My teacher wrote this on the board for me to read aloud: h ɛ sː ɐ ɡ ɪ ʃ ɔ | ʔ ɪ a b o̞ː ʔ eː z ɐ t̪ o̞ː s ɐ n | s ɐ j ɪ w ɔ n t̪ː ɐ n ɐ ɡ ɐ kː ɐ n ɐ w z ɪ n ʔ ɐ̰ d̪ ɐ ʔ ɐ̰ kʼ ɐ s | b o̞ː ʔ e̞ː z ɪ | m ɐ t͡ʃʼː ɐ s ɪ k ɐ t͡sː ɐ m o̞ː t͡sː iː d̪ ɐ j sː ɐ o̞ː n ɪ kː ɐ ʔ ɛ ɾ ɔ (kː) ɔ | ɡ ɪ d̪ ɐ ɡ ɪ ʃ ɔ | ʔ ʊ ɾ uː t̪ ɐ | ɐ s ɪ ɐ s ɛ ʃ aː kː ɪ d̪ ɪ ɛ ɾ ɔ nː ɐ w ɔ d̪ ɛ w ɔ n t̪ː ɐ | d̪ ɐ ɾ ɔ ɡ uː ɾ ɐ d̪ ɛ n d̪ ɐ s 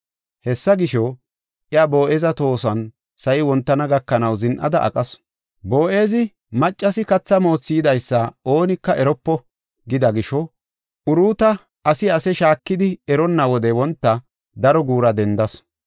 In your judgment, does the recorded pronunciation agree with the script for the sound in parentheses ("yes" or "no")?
no